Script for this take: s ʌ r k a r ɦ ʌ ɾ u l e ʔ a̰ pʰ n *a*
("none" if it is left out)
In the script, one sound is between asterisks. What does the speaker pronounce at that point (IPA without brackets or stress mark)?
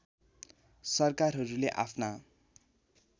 a